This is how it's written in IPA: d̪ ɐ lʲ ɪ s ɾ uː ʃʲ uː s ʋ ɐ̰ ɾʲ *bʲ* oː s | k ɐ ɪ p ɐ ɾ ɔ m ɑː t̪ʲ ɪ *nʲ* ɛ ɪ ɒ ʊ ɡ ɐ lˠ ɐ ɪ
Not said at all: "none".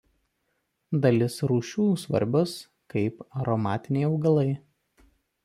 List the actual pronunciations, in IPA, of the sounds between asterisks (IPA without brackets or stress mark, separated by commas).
bʲ, nʲ